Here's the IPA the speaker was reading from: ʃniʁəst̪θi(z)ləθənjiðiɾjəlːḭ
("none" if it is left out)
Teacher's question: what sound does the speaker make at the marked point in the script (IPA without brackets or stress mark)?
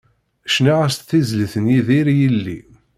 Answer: z